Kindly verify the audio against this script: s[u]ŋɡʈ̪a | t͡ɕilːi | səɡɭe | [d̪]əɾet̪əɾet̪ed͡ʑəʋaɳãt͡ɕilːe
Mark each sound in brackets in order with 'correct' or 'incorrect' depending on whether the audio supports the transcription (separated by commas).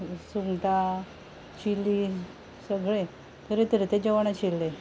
correct, incorrect